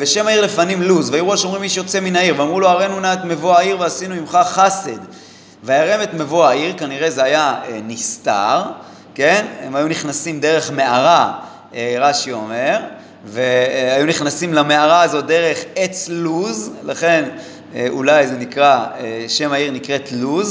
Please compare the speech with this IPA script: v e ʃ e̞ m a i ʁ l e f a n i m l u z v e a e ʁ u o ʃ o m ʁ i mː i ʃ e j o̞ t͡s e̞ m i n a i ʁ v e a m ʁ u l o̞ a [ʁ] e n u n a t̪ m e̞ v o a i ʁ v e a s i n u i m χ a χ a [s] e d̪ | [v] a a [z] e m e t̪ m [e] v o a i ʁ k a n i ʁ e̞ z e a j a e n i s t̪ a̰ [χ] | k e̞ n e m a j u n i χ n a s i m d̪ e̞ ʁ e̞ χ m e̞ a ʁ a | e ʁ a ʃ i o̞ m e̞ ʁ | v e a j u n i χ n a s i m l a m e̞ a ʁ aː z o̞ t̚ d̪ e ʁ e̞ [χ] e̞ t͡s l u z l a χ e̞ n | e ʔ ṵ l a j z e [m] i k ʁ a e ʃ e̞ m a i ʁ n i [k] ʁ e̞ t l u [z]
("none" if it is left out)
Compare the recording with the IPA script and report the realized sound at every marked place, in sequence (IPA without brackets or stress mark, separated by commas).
ʁ, s, v, ʁ, e, ʁ, χ, n, k, z